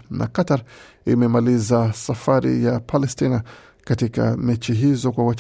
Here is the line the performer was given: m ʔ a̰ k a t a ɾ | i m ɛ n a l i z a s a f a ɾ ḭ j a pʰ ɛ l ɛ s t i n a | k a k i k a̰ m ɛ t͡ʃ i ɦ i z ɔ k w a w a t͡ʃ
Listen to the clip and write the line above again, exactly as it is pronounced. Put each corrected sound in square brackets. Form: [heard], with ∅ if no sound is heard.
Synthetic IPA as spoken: [n] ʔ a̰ k a t a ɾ | i m ɛ [m] a l i z a s a f a ɾ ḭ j a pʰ [a] l ɛ s t i n a | k a [t] i k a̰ m ɛ t͡ʃ i ɦ i z ɔ k w a w a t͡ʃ